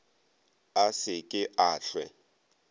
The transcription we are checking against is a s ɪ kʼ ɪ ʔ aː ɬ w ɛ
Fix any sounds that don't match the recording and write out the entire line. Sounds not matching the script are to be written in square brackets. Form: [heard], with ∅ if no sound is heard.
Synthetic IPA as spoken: a s ɪ kʼ ɪ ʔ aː ɬ w ɛ